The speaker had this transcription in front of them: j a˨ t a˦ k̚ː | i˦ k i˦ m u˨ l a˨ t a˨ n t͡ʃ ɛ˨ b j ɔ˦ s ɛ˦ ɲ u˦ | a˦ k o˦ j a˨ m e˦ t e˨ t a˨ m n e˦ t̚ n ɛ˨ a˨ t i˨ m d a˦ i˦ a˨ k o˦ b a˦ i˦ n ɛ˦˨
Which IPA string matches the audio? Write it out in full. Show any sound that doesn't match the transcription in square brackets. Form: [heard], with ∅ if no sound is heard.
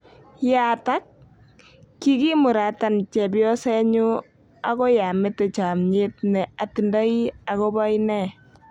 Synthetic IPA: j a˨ t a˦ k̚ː | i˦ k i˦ m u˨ [ɾ] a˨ t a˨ n t͡ʃ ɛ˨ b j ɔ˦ s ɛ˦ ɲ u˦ | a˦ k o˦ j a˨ m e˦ t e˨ [t͡ʃ] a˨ m [ɲ] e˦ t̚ n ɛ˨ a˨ t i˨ [n] d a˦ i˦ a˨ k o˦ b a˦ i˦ n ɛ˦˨